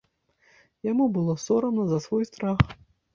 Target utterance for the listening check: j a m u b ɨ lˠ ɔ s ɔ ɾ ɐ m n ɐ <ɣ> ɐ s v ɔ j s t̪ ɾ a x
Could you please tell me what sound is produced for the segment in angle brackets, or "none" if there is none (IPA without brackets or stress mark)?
z